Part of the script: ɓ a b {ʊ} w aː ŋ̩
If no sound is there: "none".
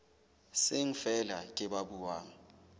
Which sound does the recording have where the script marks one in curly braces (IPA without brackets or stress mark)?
u